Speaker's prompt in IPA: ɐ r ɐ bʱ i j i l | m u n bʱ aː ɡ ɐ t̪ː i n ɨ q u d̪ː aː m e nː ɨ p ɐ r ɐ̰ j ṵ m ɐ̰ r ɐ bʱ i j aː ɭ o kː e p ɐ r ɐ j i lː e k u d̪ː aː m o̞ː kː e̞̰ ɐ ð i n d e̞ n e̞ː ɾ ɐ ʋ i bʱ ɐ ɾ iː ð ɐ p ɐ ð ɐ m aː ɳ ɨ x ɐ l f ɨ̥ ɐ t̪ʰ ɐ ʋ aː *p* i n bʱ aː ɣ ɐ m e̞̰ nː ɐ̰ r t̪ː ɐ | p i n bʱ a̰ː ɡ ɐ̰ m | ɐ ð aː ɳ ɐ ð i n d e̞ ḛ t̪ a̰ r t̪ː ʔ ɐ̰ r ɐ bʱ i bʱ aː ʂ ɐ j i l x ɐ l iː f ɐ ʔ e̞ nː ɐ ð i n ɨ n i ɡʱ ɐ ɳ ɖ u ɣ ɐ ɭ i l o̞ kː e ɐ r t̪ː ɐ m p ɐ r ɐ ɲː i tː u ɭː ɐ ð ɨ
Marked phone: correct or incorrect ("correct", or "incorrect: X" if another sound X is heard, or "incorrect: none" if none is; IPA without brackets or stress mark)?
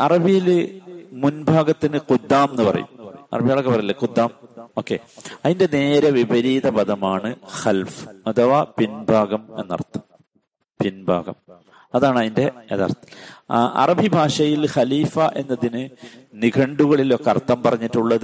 correct